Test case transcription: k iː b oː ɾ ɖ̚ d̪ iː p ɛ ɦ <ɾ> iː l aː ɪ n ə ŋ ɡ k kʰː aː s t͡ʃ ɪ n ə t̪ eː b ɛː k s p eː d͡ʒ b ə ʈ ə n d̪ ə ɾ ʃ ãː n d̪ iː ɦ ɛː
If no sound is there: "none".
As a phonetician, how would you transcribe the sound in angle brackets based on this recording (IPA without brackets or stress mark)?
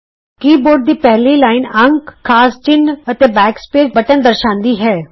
l